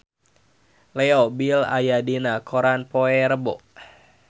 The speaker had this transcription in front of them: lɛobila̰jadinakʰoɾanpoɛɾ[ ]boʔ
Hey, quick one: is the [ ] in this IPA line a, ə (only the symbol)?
ə